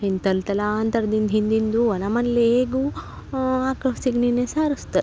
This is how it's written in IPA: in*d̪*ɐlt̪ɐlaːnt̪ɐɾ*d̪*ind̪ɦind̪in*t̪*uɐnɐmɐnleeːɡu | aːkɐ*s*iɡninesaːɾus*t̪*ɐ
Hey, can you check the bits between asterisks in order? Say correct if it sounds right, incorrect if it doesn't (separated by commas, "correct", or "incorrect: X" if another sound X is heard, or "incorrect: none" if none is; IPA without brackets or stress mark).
incorrect: t̪, correct, incorrect: d̪, correct, correct